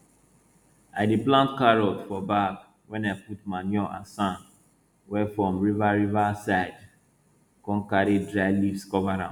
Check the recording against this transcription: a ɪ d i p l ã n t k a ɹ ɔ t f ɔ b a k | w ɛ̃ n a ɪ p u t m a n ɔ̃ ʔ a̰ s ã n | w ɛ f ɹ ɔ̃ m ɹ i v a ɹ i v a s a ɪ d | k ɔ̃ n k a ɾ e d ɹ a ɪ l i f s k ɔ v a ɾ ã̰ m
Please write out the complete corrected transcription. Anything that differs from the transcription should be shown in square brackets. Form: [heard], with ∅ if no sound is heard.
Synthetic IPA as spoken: a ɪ d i p l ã n t k a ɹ ɔ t f ɔ b a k | w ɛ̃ n a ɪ p u t m a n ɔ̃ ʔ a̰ s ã n | w ɛ f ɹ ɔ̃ m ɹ i v a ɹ i v a s a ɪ d | k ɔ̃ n k a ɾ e d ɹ a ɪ l i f s k ɔ v a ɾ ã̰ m